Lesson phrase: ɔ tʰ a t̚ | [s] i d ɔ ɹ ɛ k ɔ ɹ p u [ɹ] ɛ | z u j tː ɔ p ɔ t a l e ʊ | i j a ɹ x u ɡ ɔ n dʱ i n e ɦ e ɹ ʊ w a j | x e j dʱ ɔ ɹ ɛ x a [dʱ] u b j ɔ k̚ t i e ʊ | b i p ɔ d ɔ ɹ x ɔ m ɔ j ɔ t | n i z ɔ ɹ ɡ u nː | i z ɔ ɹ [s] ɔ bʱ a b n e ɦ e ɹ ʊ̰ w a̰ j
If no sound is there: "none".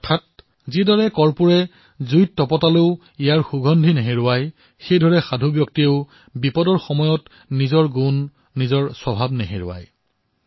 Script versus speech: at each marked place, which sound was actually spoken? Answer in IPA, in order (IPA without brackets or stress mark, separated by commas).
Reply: z, ɹ, dʱ, s